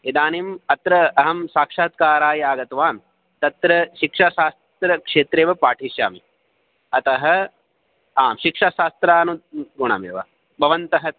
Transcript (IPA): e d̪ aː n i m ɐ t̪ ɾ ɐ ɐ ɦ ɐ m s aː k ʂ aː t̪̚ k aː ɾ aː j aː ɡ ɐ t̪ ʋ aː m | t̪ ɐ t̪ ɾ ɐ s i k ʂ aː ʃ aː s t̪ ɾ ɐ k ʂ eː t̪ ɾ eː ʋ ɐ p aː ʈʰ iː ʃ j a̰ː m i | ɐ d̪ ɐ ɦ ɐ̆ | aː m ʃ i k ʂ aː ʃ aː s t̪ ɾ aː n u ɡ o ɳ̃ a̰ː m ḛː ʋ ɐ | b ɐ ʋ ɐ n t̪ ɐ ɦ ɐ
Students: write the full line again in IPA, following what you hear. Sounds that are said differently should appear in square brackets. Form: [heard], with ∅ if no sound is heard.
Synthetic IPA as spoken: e d̪ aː n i m ɐ t̪ ɾ ɐ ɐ ɦ ɐ m s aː k ʂ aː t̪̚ k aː ɾ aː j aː ɡ ɐ t̪ ʋ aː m | t̪ ɐ t̪ ɾ ɐ [ʃ] i k ʂ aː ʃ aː s t̪ ɾ ɐ k ʂ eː t̪ ɾ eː ʋ ɐ p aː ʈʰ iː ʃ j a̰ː m i | ɐ [t̪] ɐ ɦ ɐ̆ | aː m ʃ i k ʂ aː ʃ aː s t̪ ɾ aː n u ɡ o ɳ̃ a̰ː m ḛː ʋ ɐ | b ɐ ʋ ɐ n t̪ ɐ ɦ ɐ